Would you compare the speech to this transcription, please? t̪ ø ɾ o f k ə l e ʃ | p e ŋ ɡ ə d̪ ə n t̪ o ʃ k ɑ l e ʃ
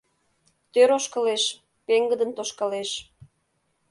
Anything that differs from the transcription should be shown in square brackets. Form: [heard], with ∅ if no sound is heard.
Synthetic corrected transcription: t̪ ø ɾ o [ʃ] k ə l e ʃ | p e ŋ ɡ ə d̪ ə n t̪ o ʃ k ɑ l e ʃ